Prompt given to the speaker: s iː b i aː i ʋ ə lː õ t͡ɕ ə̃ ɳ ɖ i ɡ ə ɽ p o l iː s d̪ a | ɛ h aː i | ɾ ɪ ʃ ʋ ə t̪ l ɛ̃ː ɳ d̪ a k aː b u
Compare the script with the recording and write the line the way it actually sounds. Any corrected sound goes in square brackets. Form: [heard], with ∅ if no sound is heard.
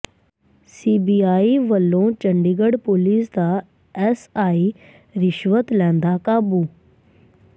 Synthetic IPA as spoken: s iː b i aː i ʋ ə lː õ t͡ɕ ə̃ ɳ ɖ i ɡ ə ɽ p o l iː s d̪ a | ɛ [s] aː i | ɾ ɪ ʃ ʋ ə t̪ l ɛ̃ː [n] d̪ a k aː b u